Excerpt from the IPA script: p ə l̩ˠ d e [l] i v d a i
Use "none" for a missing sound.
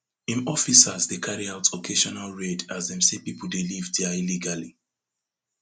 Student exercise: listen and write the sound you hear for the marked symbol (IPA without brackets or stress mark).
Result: l